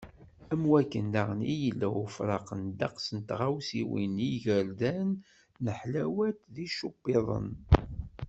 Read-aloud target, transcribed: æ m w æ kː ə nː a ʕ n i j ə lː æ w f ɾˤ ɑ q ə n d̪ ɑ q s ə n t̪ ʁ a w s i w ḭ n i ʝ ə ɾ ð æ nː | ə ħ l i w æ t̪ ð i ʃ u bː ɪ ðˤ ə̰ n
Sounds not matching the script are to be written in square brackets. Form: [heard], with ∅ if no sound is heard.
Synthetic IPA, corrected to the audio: æ m w æ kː ə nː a [ʁ] n i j ə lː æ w f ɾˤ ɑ q ə n d̪ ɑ q s ə n t̪ ʁ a w s i w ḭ n i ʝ ə ɾ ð æ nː | ə ħ l [æ] w æ t̪ ð i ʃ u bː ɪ ðˤ ə̰ n